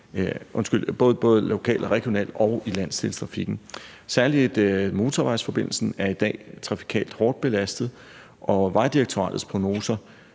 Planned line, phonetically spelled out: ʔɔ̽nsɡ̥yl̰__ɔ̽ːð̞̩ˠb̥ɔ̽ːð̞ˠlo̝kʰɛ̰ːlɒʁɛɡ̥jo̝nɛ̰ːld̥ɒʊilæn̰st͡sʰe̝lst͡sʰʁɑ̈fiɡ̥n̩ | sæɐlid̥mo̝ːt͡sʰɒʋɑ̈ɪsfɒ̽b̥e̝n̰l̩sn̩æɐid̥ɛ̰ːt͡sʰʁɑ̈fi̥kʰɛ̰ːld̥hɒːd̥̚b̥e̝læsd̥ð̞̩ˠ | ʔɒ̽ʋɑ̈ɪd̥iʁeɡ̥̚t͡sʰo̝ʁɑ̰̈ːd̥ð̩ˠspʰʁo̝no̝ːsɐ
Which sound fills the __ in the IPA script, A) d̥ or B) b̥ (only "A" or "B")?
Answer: B